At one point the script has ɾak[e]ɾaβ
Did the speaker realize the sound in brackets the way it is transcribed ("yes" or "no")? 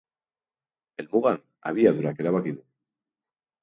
yes